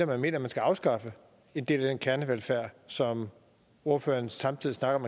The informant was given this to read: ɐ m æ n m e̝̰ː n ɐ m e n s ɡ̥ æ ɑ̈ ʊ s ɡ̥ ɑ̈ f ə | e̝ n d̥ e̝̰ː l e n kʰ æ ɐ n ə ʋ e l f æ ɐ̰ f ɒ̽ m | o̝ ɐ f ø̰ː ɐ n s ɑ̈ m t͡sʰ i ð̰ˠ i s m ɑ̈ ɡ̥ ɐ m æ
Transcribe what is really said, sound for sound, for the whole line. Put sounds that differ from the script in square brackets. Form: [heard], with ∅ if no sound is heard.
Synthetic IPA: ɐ m æ n m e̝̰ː n ɐ m [æ] n s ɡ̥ æ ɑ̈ ʊ s ɡ̥ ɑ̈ f ə | e̝ n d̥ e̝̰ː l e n kʰ æ ɐ n ə ʋ e l f æ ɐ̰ [s] ɒ̽ m | o̝ ɐ f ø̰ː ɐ n s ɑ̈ m t͡sʰ i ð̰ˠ i s [n] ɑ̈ ɡ̥ ɐ m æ